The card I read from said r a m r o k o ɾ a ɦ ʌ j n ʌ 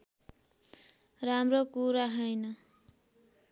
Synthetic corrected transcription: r a m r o k u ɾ a ɦ ʌ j n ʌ